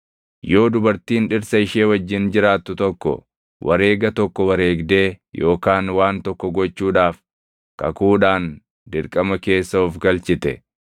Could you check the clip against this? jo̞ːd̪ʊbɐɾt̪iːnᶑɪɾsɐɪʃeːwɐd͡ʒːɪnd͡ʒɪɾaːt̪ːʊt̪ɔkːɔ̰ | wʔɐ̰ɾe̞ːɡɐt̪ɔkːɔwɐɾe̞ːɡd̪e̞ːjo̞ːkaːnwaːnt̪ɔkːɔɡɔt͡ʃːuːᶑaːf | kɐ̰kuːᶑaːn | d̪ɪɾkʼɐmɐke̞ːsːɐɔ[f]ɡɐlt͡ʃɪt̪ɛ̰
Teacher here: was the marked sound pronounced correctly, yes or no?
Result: yes